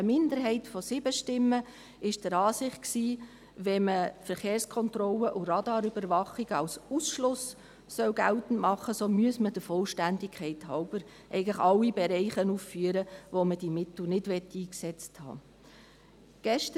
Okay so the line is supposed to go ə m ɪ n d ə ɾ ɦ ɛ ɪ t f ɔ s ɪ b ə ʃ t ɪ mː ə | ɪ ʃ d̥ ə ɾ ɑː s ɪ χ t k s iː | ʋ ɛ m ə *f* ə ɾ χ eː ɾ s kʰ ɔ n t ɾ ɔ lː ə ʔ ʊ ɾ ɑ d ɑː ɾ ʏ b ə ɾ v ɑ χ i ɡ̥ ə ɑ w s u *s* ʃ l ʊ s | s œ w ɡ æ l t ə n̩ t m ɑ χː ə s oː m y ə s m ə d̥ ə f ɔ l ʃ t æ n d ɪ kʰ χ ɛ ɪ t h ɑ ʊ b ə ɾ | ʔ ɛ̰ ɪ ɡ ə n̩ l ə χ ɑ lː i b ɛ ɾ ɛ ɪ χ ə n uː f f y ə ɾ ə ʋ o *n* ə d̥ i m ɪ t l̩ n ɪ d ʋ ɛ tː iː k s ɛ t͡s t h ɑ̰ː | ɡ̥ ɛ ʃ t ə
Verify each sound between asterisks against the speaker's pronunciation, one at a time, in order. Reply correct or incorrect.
correct, correct, incorrect

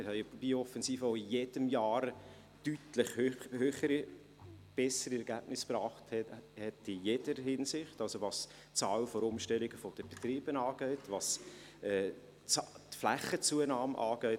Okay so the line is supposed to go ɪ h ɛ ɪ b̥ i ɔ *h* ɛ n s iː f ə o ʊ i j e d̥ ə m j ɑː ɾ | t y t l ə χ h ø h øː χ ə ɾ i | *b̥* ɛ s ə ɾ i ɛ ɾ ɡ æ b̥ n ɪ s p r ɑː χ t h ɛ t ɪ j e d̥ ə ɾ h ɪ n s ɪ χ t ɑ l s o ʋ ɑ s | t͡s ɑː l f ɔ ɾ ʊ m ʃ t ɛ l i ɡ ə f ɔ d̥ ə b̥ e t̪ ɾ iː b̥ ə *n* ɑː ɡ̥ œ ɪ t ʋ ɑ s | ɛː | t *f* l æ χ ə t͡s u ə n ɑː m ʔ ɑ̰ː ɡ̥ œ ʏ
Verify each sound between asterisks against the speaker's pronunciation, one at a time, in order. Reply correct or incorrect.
incorrect, correct, correct, correct

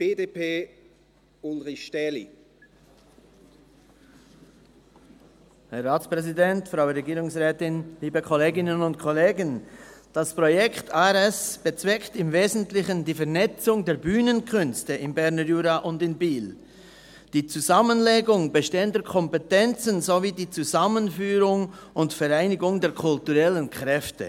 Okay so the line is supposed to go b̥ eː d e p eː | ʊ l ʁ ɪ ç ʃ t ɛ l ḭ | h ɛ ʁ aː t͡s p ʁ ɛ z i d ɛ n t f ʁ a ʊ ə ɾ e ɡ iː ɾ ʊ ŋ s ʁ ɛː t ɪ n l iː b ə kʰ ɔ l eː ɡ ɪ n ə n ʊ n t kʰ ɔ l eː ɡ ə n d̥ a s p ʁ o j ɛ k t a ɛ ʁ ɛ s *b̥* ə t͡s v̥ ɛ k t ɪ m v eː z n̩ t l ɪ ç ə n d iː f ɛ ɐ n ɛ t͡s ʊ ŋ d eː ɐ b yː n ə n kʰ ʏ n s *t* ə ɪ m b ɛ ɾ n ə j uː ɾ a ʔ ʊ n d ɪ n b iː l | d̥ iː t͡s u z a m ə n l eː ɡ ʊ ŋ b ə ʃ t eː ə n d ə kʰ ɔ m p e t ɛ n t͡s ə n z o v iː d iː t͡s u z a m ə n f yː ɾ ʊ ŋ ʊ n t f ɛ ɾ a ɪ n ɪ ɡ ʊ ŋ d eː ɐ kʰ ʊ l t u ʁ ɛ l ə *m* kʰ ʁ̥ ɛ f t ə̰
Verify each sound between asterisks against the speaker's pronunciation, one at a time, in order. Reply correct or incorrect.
correct, correct, incorrect

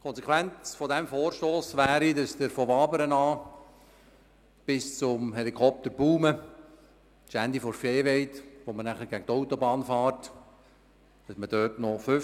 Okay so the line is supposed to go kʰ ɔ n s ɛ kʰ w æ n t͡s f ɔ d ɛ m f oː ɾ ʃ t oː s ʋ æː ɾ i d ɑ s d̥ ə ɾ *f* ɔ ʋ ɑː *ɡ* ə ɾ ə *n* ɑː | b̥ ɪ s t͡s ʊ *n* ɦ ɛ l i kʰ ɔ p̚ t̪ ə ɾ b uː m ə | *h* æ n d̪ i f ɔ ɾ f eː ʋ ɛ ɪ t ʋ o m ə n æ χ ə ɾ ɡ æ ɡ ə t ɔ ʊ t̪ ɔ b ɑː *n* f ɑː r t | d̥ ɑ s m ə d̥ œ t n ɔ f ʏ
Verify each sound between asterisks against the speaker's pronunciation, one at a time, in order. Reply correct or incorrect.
correct, incorrect, correct, incorrect, incorrect, correct

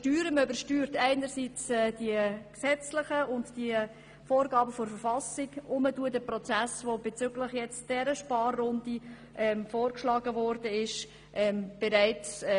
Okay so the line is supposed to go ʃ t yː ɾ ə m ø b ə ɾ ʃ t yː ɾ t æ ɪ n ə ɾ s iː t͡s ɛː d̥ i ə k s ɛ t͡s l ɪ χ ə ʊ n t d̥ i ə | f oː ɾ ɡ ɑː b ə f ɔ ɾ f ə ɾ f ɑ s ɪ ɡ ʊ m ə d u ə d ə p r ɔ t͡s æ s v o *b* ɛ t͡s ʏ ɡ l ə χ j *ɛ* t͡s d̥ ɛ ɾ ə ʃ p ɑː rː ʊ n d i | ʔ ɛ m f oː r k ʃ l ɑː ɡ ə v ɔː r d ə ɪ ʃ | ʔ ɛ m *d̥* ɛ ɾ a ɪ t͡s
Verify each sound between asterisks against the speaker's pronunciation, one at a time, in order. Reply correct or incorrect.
correct, correct, incorrect

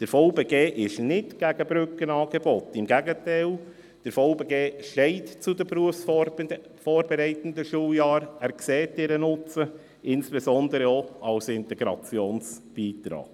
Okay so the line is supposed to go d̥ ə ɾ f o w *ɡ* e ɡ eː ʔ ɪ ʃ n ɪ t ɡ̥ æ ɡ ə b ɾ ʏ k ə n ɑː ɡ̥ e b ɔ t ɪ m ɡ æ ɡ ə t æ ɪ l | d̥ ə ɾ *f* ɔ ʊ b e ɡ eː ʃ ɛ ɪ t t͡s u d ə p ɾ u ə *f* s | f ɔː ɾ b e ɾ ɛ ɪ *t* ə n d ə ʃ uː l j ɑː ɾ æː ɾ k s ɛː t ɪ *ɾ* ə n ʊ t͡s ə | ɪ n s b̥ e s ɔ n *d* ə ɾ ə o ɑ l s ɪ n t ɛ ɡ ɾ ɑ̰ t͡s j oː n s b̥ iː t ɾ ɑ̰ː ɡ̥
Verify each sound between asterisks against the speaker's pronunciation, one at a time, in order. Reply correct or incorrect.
incorrect, correct, correct, correct, correct, correct

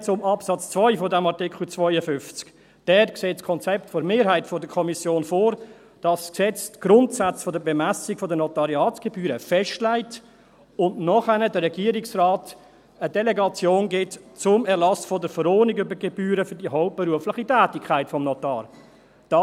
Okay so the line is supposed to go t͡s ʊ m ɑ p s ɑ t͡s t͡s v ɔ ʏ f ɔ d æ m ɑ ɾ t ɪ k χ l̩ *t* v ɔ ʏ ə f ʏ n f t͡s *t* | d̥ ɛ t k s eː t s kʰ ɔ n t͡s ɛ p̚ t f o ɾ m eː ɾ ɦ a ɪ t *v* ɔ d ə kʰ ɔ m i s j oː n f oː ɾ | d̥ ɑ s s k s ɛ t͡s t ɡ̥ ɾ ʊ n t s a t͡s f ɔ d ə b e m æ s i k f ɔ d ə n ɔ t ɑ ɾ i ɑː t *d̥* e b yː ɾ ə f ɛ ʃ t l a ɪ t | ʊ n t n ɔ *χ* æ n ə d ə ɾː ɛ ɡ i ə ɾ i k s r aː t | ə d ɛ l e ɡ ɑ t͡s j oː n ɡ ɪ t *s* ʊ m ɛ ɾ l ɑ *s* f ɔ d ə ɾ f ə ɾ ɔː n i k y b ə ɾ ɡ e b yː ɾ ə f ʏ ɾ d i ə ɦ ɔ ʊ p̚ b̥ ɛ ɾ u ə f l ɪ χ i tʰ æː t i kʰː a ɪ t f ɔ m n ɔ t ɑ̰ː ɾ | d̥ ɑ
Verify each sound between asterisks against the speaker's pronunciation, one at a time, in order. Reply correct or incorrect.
incorrect, incorrect, incorrect, incorrect, correct, incorrect, correct

